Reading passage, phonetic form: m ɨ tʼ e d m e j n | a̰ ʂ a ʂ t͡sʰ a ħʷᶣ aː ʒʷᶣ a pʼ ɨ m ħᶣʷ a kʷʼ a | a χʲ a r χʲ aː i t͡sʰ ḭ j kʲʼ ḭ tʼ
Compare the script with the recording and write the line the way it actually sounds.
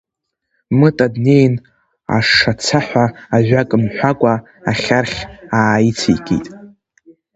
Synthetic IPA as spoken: m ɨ tʼ a d n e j n | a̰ ʂ a t͡sʰ a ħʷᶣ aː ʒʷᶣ a kʼ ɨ m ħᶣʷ a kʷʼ a | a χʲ a r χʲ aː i t͡sʰ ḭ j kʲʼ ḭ tʼ